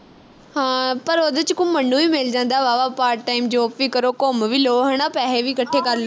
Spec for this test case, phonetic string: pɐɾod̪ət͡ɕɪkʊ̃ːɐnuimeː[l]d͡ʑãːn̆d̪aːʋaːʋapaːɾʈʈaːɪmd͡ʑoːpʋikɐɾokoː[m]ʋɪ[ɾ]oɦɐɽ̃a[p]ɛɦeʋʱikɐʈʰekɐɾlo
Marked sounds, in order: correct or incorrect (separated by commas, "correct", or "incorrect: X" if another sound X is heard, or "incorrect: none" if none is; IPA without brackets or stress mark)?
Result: correct, correct, incorrect: l, correct